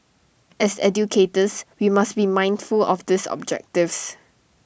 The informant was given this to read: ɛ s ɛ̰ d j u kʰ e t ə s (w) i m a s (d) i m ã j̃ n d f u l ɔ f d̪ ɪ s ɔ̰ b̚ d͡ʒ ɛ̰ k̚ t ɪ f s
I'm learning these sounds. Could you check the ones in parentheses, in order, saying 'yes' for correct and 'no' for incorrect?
yes, no

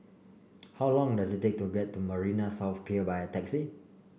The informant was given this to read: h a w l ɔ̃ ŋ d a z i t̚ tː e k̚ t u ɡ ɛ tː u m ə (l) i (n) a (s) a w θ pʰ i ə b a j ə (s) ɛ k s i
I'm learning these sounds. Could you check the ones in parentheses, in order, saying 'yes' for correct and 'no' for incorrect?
no, yes, yes, no

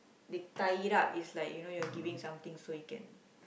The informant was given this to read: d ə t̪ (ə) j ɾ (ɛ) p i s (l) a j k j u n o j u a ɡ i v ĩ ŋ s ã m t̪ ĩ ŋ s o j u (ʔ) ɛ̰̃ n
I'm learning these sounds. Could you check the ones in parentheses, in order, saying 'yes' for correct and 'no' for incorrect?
no, no, yes, no

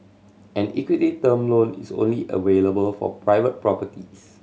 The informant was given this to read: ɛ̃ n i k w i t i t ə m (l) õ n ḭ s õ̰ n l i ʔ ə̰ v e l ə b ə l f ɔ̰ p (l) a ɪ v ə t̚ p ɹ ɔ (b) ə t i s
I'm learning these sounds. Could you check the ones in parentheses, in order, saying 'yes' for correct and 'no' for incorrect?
yes, no, no

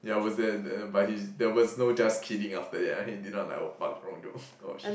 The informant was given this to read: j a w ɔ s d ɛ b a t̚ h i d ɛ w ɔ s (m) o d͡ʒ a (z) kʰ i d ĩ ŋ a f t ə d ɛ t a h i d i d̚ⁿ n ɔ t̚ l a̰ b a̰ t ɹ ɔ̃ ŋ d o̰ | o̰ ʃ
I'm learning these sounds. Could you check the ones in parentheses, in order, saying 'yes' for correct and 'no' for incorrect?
no, no

